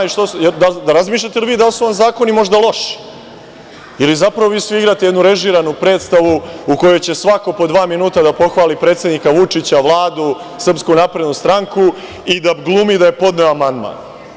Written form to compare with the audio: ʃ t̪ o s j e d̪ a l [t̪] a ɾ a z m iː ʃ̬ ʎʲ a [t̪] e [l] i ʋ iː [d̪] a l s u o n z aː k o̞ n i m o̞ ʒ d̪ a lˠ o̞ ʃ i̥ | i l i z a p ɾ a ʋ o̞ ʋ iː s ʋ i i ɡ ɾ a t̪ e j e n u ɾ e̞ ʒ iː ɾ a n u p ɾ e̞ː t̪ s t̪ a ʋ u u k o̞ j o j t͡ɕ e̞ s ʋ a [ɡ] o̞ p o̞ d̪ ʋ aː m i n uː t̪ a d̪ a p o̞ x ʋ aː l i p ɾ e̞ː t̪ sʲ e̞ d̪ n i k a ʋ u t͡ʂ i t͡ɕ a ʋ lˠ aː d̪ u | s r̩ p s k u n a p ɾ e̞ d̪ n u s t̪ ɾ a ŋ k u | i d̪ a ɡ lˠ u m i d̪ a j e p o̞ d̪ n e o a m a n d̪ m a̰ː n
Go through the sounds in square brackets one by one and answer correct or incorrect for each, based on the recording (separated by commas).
incorrect, correct, correct, correct, incorrect